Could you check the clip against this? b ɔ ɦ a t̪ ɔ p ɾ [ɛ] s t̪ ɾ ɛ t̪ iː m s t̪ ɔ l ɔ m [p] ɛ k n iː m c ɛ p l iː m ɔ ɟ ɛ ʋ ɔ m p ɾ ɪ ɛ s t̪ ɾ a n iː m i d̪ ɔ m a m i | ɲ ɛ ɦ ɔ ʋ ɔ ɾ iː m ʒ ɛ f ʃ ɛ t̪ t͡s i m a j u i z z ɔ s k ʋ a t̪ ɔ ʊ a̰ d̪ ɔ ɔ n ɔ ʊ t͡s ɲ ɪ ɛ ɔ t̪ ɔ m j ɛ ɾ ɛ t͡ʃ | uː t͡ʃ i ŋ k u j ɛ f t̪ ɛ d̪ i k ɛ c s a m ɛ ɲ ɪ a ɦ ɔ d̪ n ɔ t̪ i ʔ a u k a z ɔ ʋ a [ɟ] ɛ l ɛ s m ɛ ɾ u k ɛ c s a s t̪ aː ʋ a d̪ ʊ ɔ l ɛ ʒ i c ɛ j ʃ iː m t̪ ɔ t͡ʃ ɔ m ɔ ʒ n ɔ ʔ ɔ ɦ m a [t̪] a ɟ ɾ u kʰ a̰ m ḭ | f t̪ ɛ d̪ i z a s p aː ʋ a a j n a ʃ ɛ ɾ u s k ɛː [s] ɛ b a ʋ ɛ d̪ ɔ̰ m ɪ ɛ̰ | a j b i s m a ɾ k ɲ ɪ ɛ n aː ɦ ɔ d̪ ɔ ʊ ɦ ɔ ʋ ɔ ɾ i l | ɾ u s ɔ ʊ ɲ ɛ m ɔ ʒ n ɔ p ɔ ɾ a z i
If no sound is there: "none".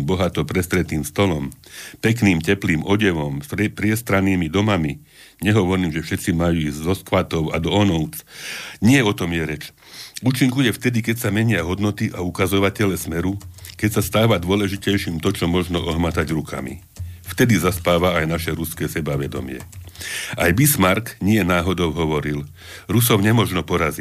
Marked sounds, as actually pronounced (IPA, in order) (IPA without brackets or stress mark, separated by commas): ɛ, p, c, t̪, s